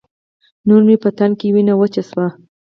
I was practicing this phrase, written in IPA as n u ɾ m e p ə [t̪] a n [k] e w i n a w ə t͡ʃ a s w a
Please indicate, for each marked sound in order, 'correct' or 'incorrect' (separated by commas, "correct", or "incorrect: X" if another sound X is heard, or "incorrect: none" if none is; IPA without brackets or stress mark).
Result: correct, correct